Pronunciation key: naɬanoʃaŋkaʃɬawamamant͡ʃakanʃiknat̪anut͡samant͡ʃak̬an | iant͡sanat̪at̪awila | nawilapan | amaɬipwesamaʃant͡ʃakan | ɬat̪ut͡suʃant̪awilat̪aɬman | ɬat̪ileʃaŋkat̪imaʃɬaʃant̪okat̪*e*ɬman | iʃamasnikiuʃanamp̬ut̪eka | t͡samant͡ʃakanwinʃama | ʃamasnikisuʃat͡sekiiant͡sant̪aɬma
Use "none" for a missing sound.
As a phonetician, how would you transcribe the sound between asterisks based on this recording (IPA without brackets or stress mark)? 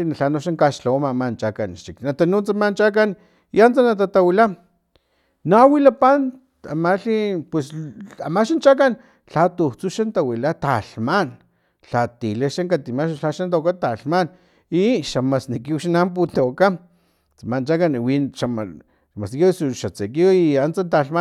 a